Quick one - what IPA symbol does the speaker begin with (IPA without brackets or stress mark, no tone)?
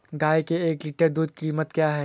ɡ